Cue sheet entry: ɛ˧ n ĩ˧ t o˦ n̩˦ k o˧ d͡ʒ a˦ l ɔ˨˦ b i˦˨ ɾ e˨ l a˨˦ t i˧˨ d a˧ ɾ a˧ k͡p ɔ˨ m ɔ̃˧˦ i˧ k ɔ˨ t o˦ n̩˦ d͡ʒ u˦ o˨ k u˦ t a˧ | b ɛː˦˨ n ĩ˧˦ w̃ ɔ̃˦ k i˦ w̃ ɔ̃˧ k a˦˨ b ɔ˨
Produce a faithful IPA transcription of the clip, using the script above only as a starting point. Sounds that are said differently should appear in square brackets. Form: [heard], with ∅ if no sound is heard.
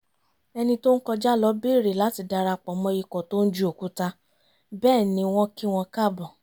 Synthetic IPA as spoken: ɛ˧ n ĩ˧ t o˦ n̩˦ k [ɔ˧] d͡ʒ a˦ l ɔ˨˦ b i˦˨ ɾ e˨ l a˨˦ t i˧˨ d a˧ ɾ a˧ k͡p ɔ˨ m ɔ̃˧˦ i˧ k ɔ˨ t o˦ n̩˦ d͡ʒ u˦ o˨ k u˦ t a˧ | b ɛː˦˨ n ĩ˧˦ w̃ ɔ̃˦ k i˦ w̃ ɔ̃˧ k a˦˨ b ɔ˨